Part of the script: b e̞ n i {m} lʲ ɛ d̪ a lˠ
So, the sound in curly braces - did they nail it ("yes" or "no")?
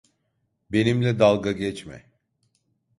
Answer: yes